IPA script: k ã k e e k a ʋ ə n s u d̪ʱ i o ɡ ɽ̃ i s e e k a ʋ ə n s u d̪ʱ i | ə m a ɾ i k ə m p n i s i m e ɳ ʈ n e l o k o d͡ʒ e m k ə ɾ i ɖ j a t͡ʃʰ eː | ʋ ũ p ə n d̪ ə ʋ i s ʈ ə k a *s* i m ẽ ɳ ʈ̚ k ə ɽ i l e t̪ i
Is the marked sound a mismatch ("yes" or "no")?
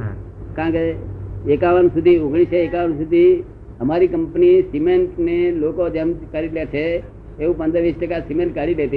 no